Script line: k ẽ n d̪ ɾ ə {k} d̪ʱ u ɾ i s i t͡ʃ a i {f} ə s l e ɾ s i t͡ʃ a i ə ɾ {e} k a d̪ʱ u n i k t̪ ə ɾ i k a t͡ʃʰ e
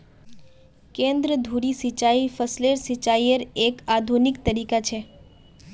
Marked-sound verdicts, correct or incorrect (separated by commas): incorrect, correct, correct